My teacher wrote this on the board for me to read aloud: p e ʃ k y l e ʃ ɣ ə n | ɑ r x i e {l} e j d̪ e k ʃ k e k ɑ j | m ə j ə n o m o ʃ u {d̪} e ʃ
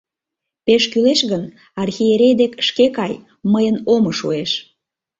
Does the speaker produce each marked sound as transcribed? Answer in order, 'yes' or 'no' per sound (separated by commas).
no, no